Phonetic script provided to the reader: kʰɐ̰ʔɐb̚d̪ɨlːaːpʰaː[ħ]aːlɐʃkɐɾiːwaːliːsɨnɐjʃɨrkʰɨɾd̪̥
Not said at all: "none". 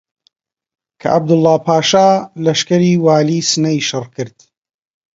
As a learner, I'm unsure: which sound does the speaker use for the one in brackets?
ʃ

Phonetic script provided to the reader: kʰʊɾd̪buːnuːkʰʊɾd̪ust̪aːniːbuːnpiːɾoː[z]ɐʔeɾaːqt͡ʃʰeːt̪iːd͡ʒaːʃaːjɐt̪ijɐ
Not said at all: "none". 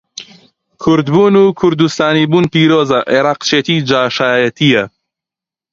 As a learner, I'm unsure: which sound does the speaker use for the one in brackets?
z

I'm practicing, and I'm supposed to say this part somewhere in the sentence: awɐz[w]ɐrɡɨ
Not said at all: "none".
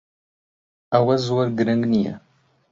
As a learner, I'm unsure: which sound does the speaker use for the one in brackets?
w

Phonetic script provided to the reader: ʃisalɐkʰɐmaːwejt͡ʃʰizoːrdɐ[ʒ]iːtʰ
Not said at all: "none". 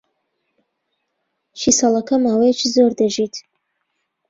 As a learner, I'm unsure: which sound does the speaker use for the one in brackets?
ʒ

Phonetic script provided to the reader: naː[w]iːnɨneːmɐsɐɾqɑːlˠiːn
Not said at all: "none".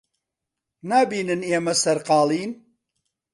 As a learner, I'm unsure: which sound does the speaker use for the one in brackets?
b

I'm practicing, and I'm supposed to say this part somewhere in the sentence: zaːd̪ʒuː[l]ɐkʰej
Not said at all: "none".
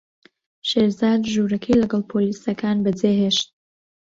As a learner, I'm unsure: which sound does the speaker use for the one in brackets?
ɾ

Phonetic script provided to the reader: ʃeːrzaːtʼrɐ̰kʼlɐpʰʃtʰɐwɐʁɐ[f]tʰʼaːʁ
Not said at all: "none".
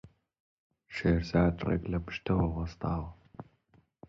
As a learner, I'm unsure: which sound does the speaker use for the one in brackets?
s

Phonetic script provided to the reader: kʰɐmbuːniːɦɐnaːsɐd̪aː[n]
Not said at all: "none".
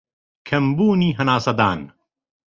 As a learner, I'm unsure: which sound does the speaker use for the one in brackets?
n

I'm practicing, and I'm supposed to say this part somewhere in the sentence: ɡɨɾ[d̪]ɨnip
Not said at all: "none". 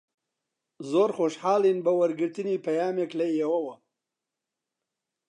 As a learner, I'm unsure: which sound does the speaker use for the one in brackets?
t̪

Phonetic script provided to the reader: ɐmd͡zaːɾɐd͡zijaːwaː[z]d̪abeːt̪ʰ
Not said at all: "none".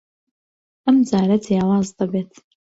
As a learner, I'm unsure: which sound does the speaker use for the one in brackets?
z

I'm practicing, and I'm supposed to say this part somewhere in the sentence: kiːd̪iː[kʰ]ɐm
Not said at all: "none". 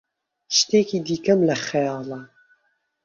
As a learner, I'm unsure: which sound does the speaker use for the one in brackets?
k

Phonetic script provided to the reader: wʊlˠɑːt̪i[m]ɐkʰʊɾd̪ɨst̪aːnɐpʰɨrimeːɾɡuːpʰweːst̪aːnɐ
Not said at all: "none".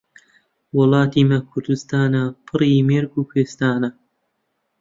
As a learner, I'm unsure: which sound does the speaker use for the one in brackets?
m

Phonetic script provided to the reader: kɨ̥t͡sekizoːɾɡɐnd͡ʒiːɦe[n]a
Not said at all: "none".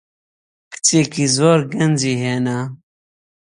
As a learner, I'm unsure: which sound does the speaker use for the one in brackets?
n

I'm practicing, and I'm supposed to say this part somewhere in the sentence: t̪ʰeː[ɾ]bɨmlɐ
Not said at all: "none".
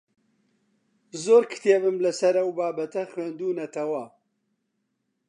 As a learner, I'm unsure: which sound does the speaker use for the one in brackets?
none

